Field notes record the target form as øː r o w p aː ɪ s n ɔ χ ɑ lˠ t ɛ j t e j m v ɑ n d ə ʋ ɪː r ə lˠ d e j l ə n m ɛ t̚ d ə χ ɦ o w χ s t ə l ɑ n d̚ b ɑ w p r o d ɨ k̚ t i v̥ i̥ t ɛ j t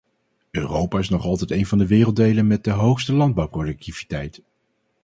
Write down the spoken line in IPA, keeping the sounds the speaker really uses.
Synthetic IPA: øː r o w p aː ɪ s n ɔ χ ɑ lˠ t ɛ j t e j n v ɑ n d ə ʋ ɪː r ə lˠ d e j l ə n m ɛ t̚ d ə ɦ o w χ s t ə l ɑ n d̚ b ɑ w p r o d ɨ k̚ t i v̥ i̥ t ɛ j t